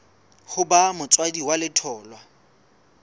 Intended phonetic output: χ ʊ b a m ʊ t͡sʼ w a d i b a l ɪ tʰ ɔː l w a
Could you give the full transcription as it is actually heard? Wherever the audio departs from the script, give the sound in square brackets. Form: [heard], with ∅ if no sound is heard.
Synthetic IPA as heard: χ ʊ b a m ʊ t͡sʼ w a d i [w] a l ɪ tʰ ɔː l w a